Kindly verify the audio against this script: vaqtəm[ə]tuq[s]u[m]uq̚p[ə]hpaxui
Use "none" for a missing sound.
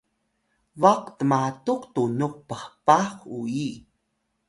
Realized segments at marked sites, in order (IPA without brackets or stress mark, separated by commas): a, t, n, ə